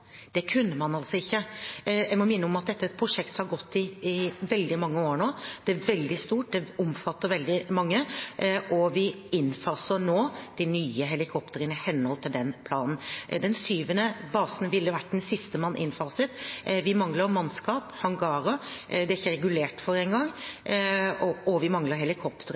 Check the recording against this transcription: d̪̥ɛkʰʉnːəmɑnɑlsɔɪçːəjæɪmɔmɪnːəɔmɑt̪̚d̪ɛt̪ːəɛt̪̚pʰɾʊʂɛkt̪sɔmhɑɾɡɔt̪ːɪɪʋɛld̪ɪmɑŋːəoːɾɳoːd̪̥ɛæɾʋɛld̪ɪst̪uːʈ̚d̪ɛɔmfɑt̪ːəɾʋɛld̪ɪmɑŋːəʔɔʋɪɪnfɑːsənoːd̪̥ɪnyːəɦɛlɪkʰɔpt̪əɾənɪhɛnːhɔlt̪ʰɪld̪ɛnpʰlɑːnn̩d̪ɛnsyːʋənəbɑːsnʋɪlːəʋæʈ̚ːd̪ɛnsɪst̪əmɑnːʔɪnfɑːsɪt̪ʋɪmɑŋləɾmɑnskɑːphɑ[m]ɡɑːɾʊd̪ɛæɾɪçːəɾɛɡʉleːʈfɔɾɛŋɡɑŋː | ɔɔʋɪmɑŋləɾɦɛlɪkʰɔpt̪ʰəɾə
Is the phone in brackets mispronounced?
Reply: yes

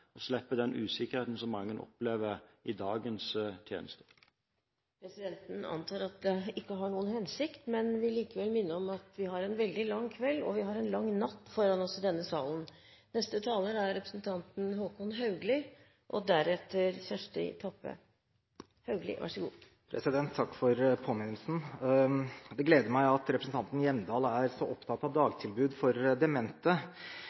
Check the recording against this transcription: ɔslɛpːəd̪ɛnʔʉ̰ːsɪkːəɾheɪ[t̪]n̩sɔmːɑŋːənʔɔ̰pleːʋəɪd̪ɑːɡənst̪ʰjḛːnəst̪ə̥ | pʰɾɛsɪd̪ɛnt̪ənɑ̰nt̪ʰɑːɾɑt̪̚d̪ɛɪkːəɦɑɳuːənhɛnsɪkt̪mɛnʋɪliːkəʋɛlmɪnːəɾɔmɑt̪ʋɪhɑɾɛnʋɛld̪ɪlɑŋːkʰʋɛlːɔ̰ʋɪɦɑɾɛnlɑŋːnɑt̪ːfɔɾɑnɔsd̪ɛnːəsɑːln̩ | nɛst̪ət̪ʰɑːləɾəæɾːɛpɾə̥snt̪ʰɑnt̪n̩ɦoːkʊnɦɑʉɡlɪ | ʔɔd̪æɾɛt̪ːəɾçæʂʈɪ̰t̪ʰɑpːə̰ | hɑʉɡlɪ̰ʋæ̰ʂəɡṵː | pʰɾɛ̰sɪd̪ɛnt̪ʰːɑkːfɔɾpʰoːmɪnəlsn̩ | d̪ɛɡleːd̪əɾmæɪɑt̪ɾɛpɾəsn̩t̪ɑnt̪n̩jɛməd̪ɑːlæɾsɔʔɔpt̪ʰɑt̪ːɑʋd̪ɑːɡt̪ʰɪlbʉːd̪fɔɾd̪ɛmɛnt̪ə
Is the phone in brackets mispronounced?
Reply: no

